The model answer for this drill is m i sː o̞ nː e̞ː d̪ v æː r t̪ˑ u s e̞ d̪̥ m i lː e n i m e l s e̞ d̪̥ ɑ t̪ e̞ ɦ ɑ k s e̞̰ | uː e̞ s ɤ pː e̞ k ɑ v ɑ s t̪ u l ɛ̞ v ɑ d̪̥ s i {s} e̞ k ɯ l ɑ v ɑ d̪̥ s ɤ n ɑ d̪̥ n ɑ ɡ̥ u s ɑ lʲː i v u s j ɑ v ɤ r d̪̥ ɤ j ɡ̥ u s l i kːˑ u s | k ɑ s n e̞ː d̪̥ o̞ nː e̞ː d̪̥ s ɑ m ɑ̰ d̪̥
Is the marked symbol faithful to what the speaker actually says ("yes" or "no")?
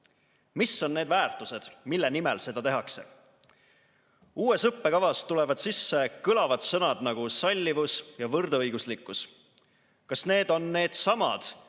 no